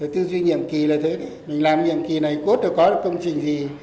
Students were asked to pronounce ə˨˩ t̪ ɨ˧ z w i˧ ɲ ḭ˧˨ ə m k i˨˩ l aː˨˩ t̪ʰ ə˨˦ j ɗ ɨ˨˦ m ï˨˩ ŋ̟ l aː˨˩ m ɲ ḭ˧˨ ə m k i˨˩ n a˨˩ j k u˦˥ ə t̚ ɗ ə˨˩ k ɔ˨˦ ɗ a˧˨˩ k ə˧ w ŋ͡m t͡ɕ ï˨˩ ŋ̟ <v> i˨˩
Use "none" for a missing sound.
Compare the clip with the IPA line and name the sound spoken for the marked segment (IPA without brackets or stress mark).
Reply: z